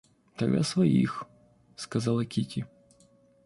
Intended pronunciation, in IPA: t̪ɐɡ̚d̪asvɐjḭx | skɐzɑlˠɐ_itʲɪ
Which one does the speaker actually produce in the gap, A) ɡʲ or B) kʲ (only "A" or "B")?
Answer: B